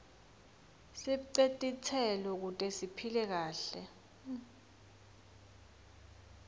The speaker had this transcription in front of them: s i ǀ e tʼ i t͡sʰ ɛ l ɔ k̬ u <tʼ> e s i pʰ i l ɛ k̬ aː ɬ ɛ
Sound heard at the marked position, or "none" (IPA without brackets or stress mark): tʼ